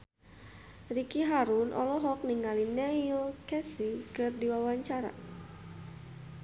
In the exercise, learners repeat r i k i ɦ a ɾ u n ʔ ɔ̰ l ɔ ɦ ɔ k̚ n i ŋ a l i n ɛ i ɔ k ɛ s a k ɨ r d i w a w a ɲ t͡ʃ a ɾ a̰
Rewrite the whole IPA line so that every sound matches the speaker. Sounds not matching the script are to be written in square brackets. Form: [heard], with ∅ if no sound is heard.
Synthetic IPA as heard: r i k i ɦ a ɾ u n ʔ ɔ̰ l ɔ ɦ ɔ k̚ n i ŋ a l i n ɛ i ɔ k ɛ s [i] k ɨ r d i w a w a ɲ t͡ʃ a ɾ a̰

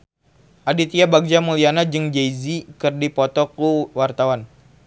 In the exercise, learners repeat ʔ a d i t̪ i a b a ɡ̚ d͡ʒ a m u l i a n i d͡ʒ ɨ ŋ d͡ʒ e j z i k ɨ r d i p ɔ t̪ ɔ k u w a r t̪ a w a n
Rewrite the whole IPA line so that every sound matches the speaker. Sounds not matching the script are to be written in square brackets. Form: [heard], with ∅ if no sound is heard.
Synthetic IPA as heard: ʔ a d i t̪ i a b a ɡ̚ d͡ʒ a m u l i a n [a] d͡ʒ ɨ ŋ d͡ʒ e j z i k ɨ r d i p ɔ t̪ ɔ k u w a r t̪ a w a n

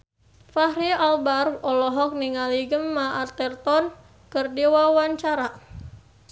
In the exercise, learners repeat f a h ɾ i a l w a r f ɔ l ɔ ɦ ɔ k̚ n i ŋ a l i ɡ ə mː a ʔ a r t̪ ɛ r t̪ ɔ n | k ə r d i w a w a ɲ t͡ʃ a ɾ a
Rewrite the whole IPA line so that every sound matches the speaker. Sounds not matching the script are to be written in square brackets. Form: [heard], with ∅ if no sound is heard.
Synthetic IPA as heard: f a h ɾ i a l [b] a r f ɔ l ɔ ɦ ɔ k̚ n i ŋ a l i ɡ ə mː a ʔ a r t̪ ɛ r t̪ ɔ n | k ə r d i w a w a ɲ t͡ʃ a ɾ a

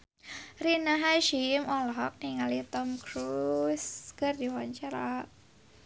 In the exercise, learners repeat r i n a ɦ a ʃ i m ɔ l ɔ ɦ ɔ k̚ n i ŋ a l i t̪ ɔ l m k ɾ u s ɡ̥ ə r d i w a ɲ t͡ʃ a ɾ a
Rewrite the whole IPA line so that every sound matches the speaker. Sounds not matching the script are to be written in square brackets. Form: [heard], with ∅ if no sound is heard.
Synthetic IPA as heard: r i n a ɦ a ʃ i m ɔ l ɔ ɦ ɔ k̚ n i ŋ a l i t̪ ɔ [∅] m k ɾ u s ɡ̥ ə r d i w a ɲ t͡ʃ a ɾ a

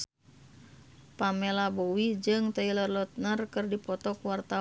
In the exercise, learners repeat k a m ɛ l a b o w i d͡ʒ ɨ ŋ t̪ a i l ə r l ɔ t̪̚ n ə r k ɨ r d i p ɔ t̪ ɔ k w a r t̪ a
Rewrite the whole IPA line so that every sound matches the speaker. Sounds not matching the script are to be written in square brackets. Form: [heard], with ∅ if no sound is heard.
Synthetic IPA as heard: [p] a m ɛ l a b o w i d͡ʒ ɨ ŋ t̪ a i l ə r l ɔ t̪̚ n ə r k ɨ r d i p ɔ t̪ ɔ k w a r t̪ a

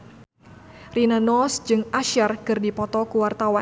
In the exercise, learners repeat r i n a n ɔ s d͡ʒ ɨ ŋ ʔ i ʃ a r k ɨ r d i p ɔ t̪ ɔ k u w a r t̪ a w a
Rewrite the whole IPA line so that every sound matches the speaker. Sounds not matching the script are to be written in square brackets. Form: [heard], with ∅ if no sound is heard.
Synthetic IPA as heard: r i n a n ɔ s d͡ʒ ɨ ŋ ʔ [a] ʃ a r k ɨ r d i p ɔ t̪ ɔ k u w a r t̪ a w a

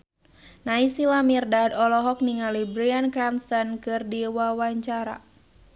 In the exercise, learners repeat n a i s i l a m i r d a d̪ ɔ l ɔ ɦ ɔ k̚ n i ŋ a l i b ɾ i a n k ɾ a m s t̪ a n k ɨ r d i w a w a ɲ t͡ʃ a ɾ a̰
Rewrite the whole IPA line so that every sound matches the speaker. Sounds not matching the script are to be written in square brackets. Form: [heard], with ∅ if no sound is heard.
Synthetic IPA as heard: n a i s i l a m i r d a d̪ ɔ l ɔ ɦ ɔ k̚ n i ŋ a l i b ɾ i a n k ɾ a m s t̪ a n k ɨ r d i w a w a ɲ t͡ʃ a ɾ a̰

